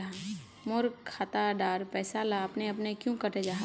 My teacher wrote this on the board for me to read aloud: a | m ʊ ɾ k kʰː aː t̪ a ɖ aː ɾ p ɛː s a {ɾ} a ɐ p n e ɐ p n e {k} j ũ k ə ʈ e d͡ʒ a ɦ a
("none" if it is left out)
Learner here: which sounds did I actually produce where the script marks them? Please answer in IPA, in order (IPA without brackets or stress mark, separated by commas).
l, k